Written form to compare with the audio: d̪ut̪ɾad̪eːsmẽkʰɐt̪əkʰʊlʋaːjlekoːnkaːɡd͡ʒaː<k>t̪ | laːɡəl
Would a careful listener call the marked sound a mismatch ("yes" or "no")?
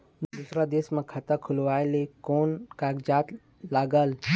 yes